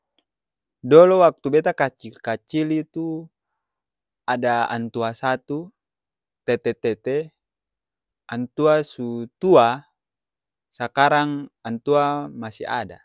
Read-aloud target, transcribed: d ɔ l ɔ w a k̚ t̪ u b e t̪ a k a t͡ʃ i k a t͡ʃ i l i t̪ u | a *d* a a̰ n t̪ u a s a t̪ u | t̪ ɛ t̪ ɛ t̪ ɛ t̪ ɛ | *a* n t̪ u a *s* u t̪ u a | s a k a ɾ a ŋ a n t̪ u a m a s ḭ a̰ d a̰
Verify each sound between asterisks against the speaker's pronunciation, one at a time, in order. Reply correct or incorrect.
correct, correct, correct

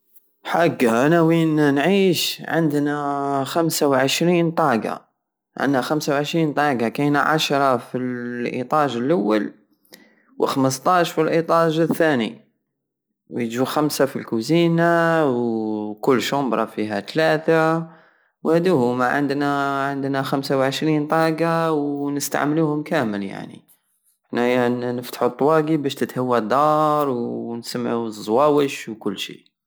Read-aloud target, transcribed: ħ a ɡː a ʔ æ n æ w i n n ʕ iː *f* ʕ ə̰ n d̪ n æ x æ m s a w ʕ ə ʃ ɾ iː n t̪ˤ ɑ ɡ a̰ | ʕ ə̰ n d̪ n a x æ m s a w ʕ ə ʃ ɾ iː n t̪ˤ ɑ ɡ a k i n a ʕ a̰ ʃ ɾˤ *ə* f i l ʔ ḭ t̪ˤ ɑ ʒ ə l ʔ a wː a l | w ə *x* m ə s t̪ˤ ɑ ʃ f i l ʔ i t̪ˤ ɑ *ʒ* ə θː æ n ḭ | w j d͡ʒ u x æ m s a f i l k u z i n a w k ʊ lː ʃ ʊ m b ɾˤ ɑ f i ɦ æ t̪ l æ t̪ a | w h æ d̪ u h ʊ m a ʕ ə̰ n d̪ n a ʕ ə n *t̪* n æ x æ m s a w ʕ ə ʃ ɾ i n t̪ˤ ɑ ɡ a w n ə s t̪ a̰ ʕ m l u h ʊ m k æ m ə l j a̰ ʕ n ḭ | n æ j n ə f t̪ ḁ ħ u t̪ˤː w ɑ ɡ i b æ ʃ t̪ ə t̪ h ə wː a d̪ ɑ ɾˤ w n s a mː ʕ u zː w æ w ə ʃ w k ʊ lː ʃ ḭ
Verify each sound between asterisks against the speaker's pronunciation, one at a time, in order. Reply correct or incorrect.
incorrect: ʃ, incorrect: ɑ, correct, correct, incorrect: d̪

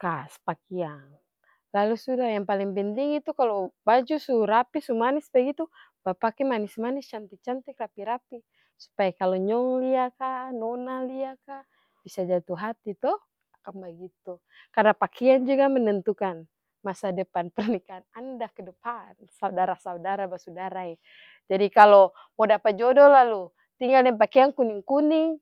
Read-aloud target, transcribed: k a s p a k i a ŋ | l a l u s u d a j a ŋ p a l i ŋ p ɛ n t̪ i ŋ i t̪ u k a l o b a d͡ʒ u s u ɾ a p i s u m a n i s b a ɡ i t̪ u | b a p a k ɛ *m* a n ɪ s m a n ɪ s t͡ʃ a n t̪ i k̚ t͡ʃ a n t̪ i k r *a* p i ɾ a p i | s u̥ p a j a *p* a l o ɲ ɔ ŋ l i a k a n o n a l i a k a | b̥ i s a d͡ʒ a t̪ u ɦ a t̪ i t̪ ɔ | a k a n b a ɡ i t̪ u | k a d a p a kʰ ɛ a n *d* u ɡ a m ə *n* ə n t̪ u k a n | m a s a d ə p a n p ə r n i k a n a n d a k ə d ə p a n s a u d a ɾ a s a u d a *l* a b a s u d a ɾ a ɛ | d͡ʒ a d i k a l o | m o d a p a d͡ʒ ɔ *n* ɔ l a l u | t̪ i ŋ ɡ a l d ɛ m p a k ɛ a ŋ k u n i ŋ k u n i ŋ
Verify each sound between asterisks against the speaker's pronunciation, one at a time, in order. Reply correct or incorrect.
correct, correct, incorrect: k, incorrect: d͡ʒ, correct, incorrect: ɾ, incorrect: d

